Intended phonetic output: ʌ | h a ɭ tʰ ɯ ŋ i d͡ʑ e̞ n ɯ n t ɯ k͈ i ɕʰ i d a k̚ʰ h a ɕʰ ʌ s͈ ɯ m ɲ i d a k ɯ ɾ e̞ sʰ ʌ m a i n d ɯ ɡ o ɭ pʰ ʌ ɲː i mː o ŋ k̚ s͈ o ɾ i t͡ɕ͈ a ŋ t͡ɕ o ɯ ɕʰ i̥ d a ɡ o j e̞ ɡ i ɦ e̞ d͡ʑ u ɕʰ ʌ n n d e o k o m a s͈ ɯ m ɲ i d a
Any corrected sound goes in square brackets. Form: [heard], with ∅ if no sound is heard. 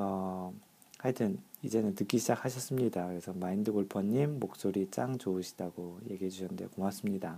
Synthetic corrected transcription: ʌ | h a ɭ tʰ ɯ [n] i d͡ʑ e̞ n ɯ n t ɯ k͈ i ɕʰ i [d͡ʑ] a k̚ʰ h a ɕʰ ʌ s͈ ɯ m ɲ i d a k ɯ ɾ e̞ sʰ ʌ m a i n d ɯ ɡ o ɭ pʰ ʌ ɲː i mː o [∅] k̚ s͈ o ɾ i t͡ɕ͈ a ŋ t͡ɕ o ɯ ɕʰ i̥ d a ɡ o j e̞ ɡ i ɦ e̞ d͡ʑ u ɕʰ ʌ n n d e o k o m a s͈ ɯ m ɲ i d a